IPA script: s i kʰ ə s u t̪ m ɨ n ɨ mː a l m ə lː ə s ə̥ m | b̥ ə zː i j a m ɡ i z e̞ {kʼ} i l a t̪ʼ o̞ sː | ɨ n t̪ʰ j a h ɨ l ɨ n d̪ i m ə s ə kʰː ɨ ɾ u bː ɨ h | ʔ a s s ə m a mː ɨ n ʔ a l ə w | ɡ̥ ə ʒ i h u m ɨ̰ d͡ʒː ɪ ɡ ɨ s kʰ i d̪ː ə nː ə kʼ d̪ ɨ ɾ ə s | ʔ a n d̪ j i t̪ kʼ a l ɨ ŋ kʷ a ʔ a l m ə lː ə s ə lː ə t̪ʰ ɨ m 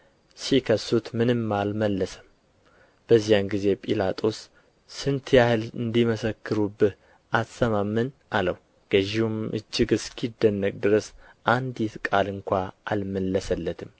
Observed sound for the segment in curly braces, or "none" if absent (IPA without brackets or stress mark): pʼ